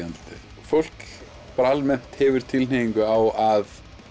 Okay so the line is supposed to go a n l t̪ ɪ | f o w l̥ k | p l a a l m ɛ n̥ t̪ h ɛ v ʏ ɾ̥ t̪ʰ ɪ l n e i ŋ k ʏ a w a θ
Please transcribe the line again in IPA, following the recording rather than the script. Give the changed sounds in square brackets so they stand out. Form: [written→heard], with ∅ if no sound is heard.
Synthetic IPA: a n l t̪ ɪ | f o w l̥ k | p [l→ɾ] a a l m ɛ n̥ t̪ h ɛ v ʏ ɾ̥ t̪ʰ ɪ l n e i ŋ k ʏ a w a [θ→ð]